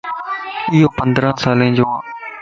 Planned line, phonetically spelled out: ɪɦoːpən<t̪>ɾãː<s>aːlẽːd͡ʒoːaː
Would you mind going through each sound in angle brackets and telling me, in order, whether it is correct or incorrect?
incorrect: d̪, correct

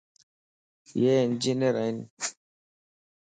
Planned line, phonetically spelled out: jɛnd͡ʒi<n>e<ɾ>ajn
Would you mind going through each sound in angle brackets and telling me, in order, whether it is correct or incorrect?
correct, correct

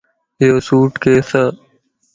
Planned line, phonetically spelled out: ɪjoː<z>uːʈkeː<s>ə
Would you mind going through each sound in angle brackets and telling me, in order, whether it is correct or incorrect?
incorrect: s, correct

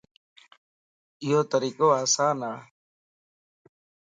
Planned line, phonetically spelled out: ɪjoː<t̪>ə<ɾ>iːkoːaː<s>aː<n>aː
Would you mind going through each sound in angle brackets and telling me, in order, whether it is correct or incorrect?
correct, correct, correct, correct

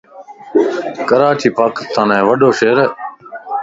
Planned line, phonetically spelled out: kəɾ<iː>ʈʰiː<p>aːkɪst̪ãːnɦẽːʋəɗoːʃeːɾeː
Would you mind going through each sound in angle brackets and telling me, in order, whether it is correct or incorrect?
incorrect: aː, correct

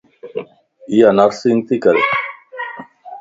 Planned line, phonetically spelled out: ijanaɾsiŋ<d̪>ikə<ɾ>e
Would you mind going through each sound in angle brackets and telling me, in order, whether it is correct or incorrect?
incorrect: t̪, correct

